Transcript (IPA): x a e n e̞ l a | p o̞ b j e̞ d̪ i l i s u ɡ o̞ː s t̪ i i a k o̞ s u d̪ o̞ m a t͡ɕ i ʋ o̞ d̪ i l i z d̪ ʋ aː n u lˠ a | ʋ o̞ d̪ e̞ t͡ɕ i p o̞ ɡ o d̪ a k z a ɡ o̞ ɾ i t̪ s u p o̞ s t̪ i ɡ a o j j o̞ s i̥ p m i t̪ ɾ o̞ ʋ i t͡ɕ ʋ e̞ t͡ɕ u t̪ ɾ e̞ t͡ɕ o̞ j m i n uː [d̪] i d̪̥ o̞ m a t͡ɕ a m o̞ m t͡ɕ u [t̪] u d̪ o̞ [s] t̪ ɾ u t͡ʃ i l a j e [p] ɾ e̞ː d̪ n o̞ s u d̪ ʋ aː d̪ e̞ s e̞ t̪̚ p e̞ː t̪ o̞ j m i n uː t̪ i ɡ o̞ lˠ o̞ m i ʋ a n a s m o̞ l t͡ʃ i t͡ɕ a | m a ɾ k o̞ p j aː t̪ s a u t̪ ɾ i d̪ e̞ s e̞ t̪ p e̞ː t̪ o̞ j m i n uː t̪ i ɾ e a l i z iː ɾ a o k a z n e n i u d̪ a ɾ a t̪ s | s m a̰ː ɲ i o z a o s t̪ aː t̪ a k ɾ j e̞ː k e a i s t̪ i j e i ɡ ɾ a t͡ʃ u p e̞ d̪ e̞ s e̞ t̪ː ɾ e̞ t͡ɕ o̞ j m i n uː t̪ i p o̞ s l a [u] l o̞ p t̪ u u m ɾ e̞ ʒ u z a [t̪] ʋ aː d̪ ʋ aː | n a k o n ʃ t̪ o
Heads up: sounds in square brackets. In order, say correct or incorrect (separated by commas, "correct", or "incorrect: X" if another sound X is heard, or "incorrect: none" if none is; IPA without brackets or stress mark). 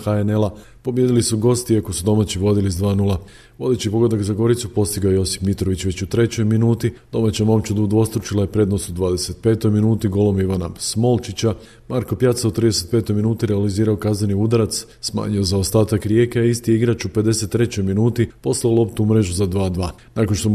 incorrect: t̪, incorrect: d̪, correct, correct, incorrect: o, incorrect: d̪